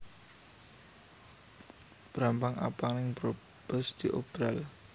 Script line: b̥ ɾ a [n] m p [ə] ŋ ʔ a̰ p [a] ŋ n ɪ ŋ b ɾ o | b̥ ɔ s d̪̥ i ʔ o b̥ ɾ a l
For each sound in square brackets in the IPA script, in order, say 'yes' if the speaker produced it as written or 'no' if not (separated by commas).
no, no, yes